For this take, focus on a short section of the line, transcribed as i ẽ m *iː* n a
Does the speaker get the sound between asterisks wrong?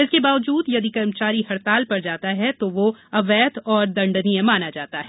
yes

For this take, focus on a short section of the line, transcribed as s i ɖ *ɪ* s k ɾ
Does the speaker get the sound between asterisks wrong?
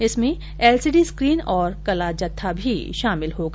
yes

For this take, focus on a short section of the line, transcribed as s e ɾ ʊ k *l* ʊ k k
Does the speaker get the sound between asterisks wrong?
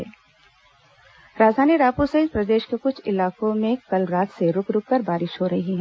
yes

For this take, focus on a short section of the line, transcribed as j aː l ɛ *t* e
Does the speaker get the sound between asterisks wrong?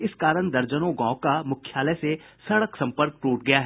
yes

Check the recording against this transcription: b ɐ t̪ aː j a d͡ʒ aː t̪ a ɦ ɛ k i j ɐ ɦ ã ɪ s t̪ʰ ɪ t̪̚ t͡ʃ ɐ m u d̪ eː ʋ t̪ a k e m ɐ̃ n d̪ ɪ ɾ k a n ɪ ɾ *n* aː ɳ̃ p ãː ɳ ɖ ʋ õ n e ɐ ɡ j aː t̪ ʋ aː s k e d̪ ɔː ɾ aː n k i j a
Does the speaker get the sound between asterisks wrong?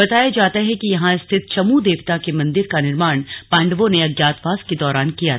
yes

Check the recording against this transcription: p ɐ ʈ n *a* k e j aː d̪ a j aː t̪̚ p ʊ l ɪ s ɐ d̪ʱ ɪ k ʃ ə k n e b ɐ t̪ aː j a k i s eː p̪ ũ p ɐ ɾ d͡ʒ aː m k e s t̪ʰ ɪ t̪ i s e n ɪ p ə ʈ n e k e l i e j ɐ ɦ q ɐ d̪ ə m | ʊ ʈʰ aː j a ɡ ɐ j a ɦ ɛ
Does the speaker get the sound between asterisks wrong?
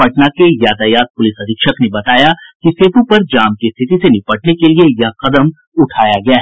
no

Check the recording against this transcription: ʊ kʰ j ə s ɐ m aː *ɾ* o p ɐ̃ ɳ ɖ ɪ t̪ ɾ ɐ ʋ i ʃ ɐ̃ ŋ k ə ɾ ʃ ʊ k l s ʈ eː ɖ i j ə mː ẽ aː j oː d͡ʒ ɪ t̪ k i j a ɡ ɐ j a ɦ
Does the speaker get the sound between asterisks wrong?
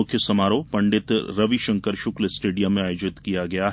no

